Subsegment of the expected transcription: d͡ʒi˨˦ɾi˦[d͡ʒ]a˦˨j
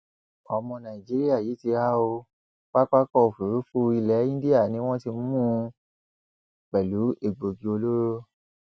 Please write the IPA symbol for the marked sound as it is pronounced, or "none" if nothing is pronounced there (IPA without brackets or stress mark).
none